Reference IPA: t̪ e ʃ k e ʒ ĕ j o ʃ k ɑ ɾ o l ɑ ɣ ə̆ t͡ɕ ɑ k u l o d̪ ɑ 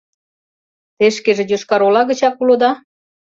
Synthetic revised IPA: t̪ e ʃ k e ʒ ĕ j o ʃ k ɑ ɾ o l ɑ ɣ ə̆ t͡ɕ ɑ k u l o d̪ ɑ